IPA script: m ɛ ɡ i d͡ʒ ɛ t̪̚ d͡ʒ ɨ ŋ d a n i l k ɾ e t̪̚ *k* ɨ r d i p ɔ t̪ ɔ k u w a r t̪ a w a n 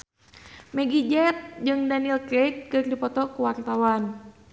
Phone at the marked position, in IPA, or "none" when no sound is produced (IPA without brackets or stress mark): k